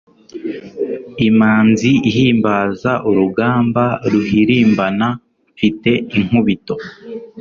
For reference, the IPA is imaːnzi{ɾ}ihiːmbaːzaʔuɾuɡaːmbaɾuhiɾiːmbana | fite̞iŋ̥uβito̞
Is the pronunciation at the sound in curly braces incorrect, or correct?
incorrect